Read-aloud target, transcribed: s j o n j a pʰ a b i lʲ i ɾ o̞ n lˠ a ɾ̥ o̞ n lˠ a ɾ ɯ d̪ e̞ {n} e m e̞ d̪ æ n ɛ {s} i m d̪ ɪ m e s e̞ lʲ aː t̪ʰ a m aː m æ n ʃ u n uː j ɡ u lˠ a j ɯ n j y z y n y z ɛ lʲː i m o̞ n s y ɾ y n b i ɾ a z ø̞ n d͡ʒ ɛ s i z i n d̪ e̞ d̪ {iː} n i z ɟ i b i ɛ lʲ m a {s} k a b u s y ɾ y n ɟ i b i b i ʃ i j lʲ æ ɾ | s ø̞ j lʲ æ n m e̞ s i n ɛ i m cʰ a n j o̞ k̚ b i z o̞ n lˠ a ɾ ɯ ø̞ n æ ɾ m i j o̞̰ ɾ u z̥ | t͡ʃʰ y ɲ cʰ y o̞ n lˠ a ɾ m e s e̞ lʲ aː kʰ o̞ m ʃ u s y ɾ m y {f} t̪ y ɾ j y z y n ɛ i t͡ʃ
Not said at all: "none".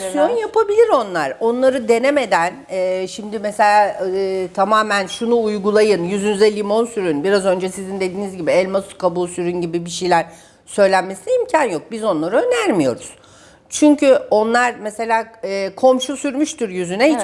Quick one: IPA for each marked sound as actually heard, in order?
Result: n, ʃ, iː, s, ʃ

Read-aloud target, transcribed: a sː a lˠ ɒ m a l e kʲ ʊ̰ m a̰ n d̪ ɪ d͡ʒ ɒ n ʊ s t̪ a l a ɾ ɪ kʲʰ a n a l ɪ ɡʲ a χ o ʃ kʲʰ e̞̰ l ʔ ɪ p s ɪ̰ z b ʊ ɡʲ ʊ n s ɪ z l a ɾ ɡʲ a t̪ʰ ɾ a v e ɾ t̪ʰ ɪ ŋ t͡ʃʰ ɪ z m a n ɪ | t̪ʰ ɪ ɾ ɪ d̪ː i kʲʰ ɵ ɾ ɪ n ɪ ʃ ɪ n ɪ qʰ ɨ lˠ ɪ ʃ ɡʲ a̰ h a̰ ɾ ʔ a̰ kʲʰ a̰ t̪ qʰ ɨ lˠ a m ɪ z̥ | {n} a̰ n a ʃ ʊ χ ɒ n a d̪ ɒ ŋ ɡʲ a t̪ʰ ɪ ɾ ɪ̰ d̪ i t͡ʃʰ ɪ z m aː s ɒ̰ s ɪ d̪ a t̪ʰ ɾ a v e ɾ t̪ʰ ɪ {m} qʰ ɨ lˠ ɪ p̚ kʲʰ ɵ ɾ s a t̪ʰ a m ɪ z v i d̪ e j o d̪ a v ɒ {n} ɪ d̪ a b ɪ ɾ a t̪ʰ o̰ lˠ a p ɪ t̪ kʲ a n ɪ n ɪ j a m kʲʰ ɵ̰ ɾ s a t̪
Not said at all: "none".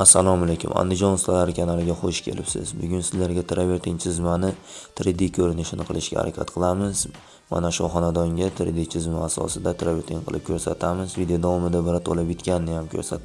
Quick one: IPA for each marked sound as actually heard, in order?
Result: m, ŋ, m

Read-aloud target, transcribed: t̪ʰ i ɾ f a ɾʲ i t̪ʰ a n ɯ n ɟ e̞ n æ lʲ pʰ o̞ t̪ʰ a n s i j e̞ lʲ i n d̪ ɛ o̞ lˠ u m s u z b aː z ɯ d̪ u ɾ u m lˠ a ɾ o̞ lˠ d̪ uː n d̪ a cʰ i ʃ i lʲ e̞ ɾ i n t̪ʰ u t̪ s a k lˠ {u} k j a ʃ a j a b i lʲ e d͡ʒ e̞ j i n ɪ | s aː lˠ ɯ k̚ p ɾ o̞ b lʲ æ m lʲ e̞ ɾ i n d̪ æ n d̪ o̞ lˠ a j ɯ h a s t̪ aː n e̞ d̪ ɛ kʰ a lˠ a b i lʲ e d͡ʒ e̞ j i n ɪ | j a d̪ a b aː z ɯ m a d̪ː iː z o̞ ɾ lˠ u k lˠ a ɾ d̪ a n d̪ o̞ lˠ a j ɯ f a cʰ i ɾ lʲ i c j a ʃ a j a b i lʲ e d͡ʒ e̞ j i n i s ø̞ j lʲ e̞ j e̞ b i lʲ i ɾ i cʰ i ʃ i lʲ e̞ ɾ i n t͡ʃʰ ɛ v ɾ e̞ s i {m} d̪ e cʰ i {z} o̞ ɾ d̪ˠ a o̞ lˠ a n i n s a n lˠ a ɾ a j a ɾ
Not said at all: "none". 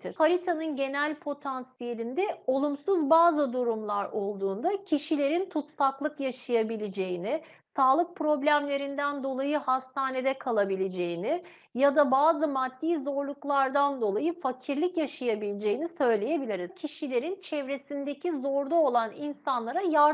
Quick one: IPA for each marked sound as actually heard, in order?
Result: ɯ, n, z

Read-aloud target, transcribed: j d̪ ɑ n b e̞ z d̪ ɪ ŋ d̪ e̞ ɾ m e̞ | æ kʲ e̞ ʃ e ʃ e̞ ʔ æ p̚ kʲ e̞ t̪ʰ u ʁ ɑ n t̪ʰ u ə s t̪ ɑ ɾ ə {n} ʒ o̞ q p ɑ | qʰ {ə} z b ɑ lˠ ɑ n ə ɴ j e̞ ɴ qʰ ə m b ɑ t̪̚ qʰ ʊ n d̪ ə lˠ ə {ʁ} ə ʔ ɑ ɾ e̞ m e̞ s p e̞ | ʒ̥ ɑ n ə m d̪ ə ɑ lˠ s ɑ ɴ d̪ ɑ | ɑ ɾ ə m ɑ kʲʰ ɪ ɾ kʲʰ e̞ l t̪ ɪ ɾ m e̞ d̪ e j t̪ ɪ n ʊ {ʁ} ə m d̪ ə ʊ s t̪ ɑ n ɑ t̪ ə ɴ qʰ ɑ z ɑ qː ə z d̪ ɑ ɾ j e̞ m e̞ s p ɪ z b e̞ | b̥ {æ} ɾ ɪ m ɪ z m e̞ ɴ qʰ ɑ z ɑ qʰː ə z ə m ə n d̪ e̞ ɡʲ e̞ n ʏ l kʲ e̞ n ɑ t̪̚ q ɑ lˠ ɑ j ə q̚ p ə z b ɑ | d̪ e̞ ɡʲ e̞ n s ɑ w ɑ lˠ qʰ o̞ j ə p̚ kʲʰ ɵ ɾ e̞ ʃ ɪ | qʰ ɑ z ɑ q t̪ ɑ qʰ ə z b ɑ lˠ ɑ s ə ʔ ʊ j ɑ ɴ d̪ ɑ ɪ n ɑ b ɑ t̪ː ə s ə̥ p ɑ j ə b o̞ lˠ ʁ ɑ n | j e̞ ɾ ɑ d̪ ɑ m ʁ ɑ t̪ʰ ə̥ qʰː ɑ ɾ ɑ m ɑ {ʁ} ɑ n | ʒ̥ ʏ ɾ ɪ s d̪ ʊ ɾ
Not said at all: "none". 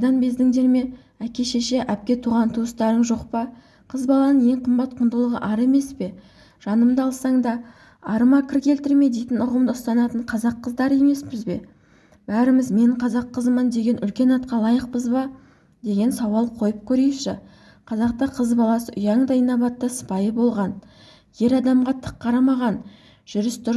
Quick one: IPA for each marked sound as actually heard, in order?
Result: ɴ, ə, ʁ, ʁ, æ, ʁ

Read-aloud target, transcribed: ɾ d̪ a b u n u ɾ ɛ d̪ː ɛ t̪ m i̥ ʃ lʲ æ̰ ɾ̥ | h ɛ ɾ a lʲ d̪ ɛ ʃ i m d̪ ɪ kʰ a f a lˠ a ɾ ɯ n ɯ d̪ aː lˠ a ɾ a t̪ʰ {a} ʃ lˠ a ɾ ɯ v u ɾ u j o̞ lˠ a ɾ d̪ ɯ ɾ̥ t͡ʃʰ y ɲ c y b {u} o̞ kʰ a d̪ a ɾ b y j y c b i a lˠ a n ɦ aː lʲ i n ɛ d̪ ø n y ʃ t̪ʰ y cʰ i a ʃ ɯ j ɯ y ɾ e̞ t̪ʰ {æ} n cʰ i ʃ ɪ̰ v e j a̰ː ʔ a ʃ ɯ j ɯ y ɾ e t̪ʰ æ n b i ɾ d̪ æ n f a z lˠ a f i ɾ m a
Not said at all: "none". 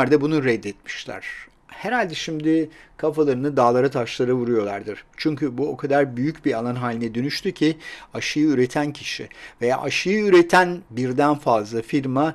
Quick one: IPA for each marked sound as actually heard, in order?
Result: a, u, æ

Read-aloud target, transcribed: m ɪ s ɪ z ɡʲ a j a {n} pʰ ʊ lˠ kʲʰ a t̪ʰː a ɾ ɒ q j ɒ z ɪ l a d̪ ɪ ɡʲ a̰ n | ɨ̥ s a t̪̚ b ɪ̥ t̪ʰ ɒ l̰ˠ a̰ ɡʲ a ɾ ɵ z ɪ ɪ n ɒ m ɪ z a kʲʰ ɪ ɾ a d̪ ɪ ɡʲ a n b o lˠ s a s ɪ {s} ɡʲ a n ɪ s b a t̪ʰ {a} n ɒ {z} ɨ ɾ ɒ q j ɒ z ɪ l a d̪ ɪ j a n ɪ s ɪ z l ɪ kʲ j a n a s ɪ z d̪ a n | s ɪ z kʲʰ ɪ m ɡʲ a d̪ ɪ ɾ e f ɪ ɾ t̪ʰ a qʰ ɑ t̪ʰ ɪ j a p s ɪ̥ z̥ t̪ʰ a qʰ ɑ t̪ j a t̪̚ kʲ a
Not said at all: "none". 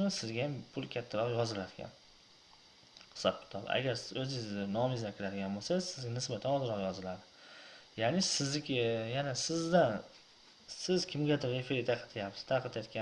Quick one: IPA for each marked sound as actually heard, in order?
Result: m, z, a, z

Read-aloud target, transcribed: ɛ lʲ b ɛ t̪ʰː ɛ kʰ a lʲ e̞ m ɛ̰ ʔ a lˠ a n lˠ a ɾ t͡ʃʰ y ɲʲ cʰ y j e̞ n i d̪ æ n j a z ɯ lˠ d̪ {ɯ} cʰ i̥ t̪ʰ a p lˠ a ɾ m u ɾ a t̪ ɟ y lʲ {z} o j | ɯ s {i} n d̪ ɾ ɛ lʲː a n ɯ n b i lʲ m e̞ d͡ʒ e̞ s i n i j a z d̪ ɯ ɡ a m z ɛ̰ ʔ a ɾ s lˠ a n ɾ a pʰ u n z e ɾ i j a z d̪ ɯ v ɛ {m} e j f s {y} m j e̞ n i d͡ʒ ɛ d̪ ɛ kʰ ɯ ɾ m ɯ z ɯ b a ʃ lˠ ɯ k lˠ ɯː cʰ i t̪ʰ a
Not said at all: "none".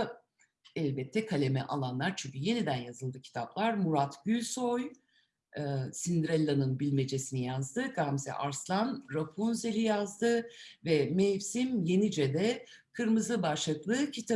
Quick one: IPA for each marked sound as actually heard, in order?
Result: ɯ, s, i, m, i

